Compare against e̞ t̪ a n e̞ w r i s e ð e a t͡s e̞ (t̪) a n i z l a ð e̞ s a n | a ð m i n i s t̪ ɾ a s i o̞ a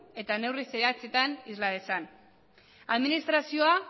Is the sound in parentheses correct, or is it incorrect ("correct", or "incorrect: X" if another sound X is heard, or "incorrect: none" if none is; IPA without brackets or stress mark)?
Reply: correct